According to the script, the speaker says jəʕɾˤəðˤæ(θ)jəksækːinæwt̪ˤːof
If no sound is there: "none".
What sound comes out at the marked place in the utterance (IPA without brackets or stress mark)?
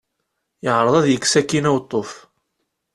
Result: ð